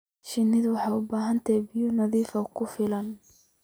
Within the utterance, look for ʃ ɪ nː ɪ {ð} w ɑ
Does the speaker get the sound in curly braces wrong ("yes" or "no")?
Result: no